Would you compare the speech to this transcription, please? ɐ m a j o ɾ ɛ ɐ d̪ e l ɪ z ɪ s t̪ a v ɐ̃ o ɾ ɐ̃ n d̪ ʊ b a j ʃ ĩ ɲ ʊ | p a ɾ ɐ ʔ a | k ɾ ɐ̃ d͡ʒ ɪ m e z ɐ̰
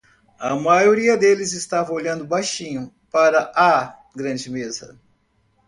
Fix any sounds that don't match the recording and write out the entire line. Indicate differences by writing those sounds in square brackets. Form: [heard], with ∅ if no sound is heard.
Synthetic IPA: ɐ m a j o ɾ [i] ɐ d̪ e l ɪ z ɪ s t̪ a v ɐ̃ o [ʎ] ɐ̃ n d̪ ʊ b a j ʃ ĩ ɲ ʊ | p a ɾ ɐ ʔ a | [ɡ] ɾ ɐ̃ d͡ʒ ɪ m e z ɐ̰

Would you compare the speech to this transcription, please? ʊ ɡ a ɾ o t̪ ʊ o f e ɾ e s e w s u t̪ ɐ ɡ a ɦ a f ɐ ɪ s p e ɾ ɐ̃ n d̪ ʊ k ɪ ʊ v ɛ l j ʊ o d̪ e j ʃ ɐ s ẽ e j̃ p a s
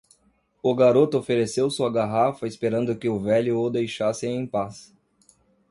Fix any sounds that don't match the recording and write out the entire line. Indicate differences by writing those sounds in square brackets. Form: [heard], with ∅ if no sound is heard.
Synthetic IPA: ʊ ɡ a ɾ o t̪ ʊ o f e ɾ e s e w s u [∅] ɐ ɡ a ɦ a f ɐ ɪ s p e ɾ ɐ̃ n d̪ ʊ k ɪ ʊ v ɛ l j ʊ o d̪ e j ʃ [a] s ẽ [ẽ] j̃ p a s

